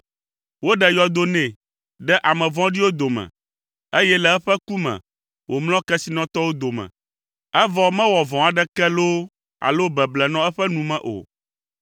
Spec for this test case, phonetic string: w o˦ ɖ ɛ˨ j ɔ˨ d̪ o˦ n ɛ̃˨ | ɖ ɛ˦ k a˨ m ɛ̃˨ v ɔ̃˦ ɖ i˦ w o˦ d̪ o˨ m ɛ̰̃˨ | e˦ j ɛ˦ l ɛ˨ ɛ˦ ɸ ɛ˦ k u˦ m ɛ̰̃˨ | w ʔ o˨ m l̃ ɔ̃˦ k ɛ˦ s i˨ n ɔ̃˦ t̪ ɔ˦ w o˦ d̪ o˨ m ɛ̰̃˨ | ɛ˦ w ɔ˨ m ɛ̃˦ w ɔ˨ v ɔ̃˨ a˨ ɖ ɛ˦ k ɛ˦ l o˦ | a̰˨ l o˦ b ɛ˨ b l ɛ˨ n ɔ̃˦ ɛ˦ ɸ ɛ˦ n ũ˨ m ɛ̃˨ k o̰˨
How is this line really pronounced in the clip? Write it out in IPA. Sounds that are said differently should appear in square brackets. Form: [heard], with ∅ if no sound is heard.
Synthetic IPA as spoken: w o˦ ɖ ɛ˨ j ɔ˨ d̪ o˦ n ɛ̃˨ | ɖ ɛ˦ [ʔ] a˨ m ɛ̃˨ v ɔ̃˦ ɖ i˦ w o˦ d̪ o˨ m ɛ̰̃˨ | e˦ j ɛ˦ l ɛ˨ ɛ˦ ɸ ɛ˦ k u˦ m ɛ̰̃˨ | w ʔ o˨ m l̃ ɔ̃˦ k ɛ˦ s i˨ n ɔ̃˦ t̪ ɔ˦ w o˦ d̪ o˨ m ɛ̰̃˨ | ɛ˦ [v] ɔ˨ m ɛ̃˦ w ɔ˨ v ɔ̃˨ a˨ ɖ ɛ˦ k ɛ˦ l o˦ | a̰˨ l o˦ b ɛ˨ b l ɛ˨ n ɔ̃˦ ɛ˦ ɸ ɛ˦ n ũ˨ m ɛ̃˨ [ʔ] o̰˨